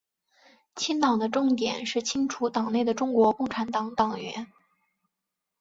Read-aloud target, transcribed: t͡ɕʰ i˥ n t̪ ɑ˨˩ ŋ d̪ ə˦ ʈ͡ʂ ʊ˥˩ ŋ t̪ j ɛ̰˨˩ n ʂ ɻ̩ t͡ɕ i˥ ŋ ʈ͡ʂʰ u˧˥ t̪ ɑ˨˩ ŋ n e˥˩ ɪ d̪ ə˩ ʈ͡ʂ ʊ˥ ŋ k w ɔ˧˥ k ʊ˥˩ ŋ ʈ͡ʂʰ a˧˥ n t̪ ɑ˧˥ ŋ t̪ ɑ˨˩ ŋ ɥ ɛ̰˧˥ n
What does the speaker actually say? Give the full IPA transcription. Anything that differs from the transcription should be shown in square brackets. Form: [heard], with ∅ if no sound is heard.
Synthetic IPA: t͡ɕʰ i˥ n t̪ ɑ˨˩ ŋ d̪ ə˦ ʈ͡ʂ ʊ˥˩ ŋ t̪ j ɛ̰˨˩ n ʂ ɻ̩ [t͡ɕʰ] i˥ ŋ ʈ͡ʂʰ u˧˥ t̪ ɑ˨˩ ŋ n e˥˩ ɪ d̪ ə˩ ʈ͡ʂ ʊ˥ ŋ k w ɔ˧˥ k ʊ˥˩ ŋ ʈ͡ʂʰ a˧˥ n t̪ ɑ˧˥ ŋ t̪ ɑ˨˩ ŋ ɥ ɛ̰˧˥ n